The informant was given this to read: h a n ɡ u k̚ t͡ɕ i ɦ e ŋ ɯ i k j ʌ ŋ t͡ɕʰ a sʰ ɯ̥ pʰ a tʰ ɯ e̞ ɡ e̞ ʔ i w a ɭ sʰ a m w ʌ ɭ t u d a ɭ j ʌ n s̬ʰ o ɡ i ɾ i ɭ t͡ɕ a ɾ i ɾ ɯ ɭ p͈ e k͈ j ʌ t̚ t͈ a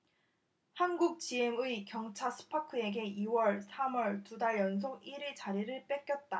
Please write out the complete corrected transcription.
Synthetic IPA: h a n ɡ u k̚ t͡ɕ i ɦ e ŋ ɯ i k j ʌ ŋ t͡ɕʰ a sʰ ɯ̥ pʰ a kʰ ɯ e̞ ɡ e̞ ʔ i w ʌ ɭ sʰ a m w ʌ ɭ t u d a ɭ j ʌ n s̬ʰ o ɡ i ɾ i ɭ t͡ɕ a ɾ i ɾ ɯ ɭ p͈ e k͈ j ʌ t̚ t͈ a